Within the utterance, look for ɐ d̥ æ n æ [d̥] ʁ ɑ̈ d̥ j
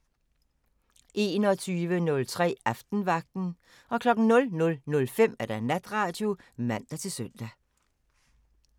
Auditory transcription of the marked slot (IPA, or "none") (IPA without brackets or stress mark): d̥